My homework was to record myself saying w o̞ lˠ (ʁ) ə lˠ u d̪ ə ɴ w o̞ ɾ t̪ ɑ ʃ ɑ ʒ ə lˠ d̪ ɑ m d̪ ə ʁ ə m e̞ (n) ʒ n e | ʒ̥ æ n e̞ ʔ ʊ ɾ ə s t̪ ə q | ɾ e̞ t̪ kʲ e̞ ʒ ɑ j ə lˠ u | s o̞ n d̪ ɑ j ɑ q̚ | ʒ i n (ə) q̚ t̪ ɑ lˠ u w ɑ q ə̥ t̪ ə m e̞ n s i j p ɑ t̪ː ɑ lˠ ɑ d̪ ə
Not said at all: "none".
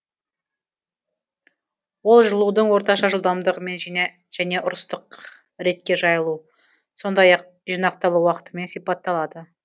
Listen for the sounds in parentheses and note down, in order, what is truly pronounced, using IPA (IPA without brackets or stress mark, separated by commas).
ʒ, n, ɑ